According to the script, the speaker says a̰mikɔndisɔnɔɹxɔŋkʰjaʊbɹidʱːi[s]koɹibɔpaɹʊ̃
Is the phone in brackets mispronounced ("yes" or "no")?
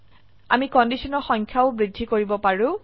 yes